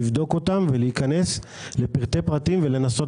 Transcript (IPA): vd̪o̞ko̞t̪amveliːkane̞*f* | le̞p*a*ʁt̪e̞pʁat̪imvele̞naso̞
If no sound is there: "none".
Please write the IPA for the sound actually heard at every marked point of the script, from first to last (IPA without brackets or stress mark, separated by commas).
s, i